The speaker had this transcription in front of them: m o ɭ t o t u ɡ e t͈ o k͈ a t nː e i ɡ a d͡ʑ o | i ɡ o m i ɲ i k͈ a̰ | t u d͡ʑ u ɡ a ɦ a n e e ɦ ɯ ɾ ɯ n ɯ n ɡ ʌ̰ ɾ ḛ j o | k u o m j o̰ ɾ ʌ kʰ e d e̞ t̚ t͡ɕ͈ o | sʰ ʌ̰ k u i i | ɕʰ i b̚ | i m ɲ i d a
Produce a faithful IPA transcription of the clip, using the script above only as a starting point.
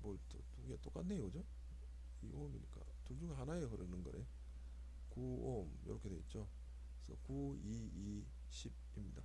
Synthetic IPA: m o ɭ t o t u ɡ e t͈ o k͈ a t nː e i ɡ ʌ d͡ʑ o | i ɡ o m i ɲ i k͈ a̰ | t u d͡ʑ u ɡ a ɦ a n a e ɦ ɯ ɾ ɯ n ɯ n ɡ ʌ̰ ɾ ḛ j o | k u o m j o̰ ɾ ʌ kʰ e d e̞ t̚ t͡ɕ͈ o | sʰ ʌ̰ k u i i | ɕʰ i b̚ | i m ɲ i d a

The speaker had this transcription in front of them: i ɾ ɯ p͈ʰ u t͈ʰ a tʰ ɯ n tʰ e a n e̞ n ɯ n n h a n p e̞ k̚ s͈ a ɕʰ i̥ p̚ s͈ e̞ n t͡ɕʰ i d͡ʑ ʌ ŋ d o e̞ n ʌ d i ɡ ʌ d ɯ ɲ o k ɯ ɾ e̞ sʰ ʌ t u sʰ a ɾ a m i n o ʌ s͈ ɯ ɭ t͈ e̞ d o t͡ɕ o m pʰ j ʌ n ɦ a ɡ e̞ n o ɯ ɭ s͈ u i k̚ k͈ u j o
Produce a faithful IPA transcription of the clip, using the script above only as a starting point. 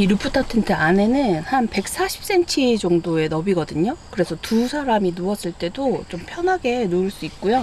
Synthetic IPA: i ɾ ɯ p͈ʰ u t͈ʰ a tʰ ɯ n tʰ e a n e̞ n ɯ n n h a n p e̞ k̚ s͈ a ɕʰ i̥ p̚ s͈ e̞ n t͡ɕʰ i d͡ʑ ʌ ŋ d o e̞ n ʌ b i ɡ ʌ d ɯ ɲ o k ɯ ɾ e̞ sʰ ʌ t u sʰ a ɾ a m i n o ʌ s͈ ɯ ɭ t͈ e̞ d o t͡ɕ o m pʰ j ʌ n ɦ a ɡ e̞ n o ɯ ɭ s͈ u i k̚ k͈ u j o

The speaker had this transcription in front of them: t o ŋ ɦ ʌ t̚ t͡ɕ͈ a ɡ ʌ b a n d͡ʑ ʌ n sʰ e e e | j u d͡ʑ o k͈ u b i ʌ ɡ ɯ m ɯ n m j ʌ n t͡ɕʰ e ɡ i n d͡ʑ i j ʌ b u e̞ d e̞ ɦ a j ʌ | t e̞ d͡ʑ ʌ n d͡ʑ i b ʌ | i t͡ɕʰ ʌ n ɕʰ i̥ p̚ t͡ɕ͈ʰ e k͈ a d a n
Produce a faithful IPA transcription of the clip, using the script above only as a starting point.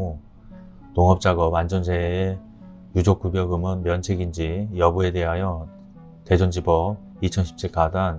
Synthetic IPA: t o ŋ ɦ ʌ p̚ t͡ɕ͈ a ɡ ʌ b a n d͡ʑ ʌ n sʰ e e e | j u d͡ʑ o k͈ u b j ʌ ɡ ɯ m ɯ n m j ʌ n t͡ɕʰ e ɡ i n d͡ʑ i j ʌ b u e̞ d e̞ ɦ a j ʌ | t e̞ d͡ʑ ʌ n d͡ʑ i b ʌ | i t͡ɕʰ ʌ n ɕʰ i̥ p̚ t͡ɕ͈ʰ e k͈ a d a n

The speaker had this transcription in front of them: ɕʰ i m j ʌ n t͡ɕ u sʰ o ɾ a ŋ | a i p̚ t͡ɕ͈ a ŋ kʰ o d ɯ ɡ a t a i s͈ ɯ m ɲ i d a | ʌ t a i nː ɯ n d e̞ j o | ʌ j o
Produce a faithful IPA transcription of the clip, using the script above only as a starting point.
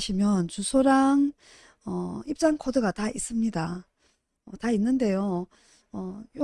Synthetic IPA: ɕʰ i m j ʌ n t͡ɕ u sʰ o ɾ a ŋ | ʌ i p̚ t͡ɕ͈ a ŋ kʰ o d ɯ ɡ a t a i s͈ ɯ m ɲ i d a | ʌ t a i nː ɯ n d e̞ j o | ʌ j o

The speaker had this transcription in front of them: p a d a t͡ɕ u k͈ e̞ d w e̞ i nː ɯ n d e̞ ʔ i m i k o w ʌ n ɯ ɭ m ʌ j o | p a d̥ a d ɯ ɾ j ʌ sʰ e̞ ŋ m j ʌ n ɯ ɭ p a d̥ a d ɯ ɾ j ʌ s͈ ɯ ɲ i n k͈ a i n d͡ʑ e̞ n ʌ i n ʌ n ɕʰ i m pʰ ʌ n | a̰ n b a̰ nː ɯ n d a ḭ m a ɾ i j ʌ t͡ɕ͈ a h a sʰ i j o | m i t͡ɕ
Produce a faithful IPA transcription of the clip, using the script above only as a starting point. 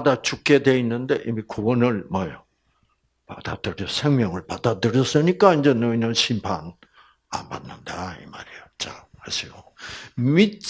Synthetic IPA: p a d a t͡ɕ u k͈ e̞ d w e̞ i nː ɯ n d e̞ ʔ i m i k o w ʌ n ɯ ɭ m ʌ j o | p a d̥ a d ɯ ɾ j ʌ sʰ e̞ ŋ m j ʌ ŋ ɯ ɭ p a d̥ a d ɯ ɾ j ʌ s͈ ɯ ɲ i k͈ a i n d͡ʑ e̞ n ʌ i n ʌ n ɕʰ i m pʰ a n | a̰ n b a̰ nː ɯ n d a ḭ m a ɾ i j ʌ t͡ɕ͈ a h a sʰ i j o | m i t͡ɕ

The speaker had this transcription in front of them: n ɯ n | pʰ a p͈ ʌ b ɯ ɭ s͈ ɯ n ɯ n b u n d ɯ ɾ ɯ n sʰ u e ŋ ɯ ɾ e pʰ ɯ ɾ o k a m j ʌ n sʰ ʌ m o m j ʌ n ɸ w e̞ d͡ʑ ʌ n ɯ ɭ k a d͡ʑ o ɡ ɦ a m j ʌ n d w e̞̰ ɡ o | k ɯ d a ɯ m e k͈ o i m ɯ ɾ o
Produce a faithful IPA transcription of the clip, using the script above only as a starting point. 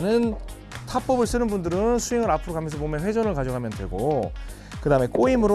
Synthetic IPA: n ɯ n | tʰ a p͈ ʌ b ɯ ɭ s͈ ɯ n ɯ n b u n d ɯ ɾ ɯ n sʰ u e ŋ ɯ ɾ a pʰ ɯ ɾ o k a m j ʌ n sʰ ʌ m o m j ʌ n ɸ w e̞ d͡ʑ ʌ n ɯ ɭ k a d͡ʑ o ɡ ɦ a m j ʌ n d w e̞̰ ɡ o | k ɯ d a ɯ m e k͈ o i m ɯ ɾ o

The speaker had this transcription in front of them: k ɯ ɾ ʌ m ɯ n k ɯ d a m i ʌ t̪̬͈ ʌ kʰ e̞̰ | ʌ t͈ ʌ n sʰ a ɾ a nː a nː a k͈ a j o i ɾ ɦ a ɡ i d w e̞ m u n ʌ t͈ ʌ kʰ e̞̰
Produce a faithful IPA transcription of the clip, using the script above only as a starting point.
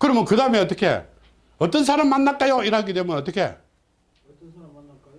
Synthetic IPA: k ɯ ɾ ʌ m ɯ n k ɯ d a m e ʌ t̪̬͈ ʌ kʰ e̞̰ | ʌ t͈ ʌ n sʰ a ɾ a mː a nː a k͈ a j o i ɾ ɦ a ɡ i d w e̞ m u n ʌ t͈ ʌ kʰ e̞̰

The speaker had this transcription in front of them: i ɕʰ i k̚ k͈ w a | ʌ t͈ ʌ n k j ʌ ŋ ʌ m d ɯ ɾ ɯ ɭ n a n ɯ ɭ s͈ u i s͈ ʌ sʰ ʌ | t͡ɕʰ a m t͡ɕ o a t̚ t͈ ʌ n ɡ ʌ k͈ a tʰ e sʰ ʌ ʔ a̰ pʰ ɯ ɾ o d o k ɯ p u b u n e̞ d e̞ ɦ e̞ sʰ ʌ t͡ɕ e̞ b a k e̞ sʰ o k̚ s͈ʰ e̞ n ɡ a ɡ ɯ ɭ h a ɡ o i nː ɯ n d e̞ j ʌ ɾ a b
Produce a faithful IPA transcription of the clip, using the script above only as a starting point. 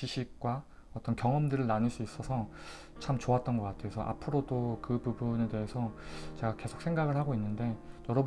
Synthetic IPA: i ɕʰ i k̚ k͈ w a | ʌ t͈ ʌ n k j ʌ ŋ ʌ m d ɯ ɾ ɯ ɭ n a n ɯ ɭ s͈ u i s͈ ʌ sʰ ʌ | t͡ɕʰ a m t͡ɕ o a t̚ t͈ ʌ n ɡ ʌ k͈ a tʰ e sʰ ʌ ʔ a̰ pʰ ɯ ɾ o d o k ɯ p u b u n e̞ d e̞ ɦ e̞ sʰ ʌ t͡ɕ e̞ ɡ a k e̞ sʰ o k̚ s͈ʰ e̞ ŋ ɡ a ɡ ɯ ɭ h a ɡ o i nː ɯ n d e̞ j ʌ ɾ ʌ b

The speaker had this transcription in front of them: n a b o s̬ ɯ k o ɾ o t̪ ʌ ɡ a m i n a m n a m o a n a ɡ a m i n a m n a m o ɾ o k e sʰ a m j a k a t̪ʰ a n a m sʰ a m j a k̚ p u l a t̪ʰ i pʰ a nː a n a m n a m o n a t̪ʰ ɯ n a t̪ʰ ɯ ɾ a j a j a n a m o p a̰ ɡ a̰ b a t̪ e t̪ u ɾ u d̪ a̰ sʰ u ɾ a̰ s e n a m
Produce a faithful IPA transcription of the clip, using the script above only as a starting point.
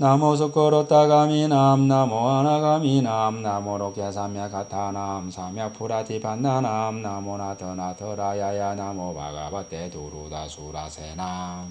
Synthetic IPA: n a m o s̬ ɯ k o ɾ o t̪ a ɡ a m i n a m n a m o a n a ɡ a m i n a m n a m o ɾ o k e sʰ a m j a k a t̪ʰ a n a m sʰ a m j a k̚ pʰ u ɾ a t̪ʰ i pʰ a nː a n a m n a m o n a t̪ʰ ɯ n a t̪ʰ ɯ ɾ a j a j a n a m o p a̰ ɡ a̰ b a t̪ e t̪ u ɾ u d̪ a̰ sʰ u ɾ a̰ s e n a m

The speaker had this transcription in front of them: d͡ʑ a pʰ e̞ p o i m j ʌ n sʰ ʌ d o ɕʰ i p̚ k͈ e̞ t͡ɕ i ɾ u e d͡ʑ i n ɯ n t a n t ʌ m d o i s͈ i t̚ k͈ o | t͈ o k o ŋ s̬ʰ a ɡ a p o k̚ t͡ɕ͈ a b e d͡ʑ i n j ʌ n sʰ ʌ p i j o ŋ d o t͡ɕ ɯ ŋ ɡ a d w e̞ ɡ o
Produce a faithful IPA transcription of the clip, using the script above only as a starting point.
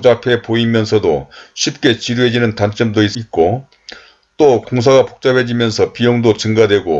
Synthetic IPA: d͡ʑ a pʰ e̞ p o i m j ʌ n sʰ ʌ d o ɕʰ i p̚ k͈ e̞ t͡ɕ i ɾ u e d͡ʑ i n ɯ n t a n t͡ɕ͈ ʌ m d o i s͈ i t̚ k͈ o | t͈ o k o ŋ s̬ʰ a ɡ a p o k̚ t͡ɕ͈ a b e d͡ʑ i m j ʌ n sʰ ʌ p i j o ŋ d o t͡ɕ ɯ ŋ ɡ a d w e̞ ɡ o

